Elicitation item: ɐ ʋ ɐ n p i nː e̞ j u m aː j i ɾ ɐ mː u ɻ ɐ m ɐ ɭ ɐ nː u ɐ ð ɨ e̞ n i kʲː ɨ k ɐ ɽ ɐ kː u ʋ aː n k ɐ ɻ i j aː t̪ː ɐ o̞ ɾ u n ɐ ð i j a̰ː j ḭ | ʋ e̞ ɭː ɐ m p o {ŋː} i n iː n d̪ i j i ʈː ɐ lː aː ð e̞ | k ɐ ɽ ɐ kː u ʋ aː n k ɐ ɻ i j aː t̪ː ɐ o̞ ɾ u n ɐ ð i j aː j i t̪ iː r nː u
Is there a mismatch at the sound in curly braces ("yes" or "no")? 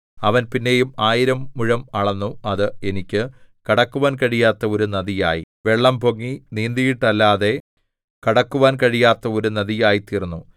no